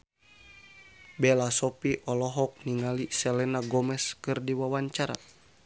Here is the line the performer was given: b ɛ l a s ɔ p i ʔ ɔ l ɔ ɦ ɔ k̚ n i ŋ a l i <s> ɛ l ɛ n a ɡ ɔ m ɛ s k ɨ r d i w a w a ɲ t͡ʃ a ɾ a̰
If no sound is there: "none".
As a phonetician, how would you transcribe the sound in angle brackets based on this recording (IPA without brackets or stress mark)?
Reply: s